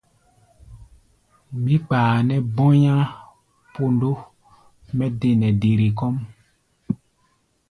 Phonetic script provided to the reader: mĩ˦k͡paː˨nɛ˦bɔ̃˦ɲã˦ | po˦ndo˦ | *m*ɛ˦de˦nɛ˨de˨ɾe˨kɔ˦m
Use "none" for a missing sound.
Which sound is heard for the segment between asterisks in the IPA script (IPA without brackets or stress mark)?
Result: m